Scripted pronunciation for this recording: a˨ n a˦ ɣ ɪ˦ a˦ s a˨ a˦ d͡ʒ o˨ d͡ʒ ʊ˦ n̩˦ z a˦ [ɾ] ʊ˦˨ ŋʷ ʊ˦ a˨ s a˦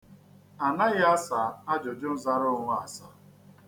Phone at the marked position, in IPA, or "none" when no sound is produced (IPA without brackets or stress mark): ɾ